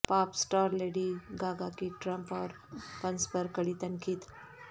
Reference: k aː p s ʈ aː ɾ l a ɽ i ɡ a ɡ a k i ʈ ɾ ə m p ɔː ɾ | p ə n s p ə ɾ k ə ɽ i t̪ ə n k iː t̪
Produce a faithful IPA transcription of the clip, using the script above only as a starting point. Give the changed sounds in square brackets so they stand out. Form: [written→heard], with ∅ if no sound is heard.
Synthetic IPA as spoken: [k→p] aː p s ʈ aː ɾ l [a→e] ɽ i ɡ a ɡ a k i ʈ ɾ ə m p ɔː ɾ | p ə n s p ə ɾ k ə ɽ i t̪ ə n k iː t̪